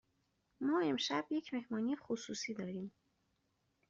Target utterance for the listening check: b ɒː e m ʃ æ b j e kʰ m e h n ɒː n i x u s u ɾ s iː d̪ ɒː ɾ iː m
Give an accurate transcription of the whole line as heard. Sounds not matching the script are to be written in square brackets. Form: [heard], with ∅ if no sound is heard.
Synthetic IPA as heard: [m] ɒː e m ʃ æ b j e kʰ m e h [m] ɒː n i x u s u [∅] s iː d̪ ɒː ɾ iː m